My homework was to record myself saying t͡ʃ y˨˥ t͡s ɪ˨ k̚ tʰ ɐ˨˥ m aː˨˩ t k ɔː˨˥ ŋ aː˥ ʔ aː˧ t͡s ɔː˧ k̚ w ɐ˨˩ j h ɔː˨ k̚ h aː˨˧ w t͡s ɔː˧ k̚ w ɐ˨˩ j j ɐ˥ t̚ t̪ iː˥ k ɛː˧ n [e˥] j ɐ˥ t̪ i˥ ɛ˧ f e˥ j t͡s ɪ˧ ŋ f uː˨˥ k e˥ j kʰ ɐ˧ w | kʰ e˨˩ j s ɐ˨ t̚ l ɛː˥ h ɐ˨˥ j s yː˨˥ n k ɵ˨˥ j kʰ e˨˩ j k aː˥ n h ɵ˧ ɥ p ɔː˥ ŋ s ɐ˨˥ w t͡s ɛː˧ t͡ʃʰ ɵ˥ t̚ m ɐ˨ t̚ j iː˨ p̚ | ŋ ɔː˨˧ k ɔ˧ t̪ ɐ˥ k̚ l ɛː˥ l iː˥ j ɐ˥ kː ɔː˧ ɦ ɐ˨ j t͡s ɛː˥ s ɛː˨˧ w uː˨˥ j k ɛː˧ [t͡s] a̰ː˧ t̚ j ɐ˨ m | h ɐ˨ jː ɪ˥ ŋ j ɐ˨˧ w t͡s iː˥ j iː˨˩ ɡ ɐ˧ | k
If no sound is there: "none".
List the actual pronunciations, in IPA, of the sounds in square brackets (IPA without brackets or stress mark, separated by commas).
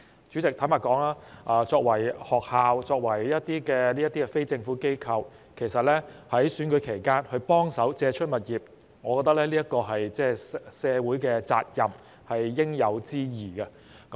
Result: i˥, t͡s